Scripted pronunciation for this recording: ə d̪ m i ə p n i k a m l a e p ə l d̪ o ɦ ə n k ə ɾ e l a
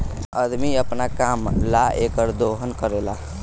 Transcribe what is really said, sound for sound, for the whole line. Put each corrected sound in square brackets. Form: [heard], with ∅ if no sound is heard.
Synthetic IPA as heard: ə d̪ m i ə p n [a] k a m l a e [k] ə [ɾ] d̪ o ɦ ə n k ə ɾ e l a